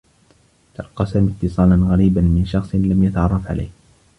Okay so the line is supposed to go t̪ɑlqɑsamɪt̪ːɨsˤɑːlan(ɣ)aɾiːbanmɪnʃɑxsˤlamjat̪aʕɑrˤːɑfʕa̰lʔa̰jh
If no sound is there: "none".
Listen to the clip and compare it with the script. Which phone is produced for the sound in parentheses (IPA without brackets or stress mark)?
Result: ɣ